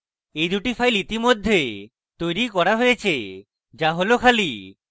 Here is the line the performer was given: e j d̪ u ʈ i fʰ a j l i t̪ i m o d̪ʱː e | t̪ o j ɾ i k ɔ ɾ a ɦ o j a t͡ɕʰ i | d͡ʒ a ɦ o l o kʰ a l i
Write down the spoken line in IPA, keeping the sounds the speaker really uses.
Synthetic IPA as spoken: e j d̪ u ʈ i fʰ a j l i t̪ i m o d̪ʱː e | t̪ o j ɾ i k ɔ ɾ a ɦ o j e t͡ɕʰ e | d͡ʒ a ɦ o l o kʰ a l i